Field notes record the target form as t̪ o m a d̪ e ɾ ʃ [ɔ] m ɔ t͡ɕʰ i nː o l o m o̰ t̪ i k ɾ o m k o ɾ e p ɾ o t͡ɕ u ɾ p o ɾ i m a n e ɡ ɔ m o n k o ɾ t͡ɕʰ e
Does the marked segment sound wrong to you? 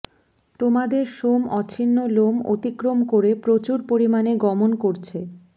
yes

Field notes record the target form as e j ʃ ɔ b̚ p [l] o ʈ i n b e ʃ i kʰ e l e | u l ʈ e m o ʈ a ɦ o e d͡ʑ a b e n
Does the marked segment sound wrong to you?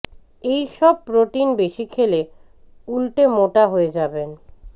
yes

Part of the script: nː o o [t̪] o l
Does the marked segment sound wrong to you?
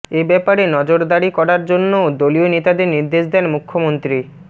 yes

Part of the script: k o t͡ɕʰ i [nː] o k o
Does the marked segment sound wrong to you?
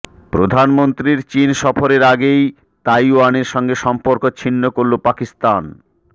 no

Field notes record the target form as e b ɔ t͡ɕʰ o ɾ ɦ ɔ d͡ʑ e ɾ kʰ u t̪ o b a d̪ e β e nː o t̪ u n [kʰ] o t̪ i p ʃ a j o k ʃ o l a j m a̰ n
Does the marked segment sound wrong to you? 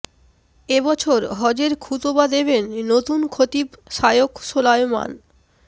no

